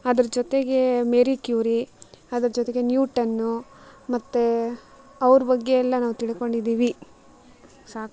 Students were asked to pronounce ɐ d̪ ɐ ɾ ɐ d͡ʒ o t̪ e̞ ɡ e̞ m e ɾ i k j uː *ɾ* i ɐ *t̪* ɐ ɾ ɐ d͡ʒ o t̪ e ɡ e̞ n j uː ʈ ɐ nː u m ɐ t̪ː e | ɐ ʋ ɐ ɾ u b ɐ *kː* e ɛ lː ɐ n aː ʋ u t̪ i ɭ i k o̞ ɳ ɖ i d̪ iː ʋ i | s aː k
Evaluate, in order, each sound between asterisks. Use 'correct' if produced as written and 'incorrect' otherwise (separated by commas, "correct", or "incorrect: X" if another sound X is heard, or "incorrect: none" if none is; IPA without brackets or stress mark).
correct, incorrect: d̪, incorrect: ɡː